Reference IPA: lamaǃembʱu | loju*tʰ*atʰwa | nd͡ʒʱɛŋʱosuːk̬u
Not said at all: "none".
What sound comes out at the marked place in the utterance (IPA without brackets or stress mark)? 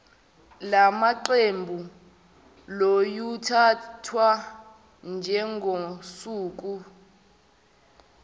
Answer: tʰ